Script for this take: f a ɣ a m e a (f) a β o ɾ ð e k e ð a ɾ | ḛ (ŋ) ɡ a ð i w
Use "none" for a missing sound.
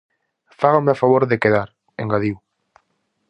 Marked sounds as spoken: f, ŋ

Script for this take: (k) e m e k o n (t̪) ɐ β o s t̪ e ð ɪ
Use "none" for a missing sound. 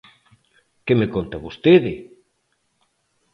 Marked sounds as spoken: k, t̪

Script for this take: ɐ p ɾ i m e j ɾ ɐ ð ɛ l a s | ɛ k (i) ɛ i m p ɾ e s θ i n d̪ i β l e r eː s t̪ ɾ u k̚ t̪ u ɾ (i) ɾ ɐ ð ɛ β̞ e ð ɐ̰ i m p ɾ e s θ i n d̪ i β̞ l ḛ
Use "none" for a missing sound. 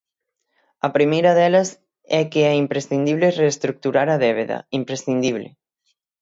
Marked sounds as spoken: e, a

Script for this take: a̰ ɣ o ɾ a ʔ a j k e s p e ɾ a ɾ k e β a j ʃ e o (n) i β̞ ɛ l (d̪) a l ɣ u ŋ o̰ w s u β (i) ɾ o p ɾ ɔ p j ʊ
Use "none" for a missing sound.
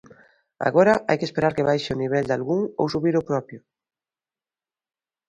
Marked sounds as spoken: n, d̪, i

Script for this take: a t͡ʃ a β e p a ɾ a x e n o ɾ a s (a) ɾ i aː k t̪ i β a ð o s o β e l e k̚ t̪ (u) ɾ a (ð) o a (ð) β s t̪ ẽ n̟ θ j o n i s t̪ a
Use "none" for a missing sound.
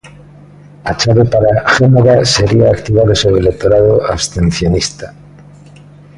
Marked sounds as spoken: e, o, ð, none

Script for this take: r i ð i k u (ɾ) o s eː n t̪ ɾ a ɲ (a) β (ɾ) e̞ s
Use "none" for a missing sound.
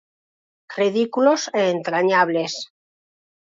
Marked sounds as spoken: l, a, l

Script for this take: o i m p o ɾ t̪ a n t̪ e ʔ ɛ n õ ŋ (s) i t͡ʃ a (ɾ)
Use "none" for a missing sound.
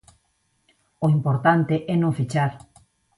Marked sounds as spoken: f, ɾ

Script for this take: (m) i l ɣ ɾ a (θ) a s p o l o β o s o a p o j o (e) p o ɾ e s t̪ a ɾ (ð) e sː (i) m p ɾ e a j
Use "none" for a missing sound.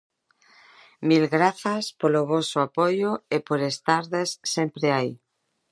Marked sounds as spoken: m, θ, e, ð, e

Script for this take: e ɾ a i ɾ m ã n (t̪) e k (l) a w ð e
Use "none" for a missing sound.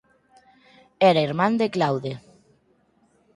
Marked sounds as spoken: d̪, l

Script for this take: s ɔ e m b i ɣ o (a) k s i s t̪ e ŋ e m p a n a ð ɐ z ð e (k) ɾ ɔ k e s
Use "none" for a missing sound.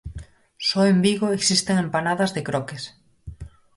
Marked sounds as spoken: e, k

